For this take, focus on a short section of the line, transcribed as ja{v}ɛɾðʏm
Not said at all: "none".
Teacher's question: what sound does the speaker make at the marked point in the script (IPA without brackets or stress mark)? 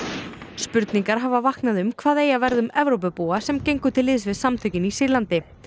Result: v